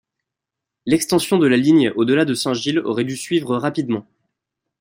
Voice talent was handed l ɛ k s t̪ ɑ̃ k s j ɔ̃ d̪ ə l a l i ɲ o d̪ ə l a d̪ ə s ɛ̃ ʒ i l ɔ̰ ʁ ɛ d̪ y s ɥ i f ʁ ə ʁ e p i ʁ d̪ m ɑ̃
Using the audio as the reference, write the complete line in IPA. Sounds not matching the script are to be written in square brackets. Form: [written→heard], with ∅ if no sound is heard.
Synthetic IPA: l ɛ k s t̪ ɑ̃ [k→∅] s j ɔ̃ d̪ ə l a l i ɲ o d̪ ə l a d̪ ə s ɛ̃ ʒ i l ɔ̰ ʁ ɛ d̪ y s ɥ i [f→v] ʁ ə ʁ [e→a] p i [ʁ→∅] d̪ m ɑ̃